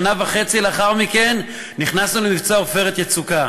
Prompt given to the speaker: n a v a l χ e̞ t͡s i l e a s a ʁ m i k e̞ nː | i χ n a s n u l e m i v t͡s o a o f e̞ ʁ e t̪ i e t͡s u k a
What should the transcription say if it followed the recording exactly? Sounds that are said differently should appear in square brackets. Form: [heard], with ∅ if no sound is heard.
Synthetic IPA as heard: n a v a [∅] χ e̞ t͡s i l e a [χ] a ʁ m i k e̞ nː | i χ n a s n u l e m i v t͡s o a o f e̞ ʁ e t̪ [j] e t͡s u k a